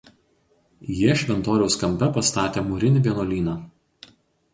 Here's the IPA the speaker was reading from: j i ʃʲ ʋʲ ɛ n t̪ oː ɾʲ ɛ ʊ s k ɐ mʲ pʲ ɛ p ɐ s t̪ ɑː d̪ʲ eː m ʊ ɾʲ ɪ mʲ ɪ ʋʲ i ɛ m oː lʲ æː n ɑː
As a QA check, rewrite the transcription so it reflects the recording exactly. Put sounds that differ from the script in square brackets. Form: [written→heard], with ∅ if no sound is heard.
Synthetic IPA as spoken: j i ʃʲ ʋʲ ɛ n t̪ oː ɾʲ ɛ ʊ s k ɐ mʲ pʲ ɛ p ɐ s t̪ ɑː [d̪ʲ→t̪ʲ] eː m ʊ ɾʲ ɪ [mʲ→nʲ] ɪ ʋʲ i ɛ [m→n] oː lʲ [æː→iː] n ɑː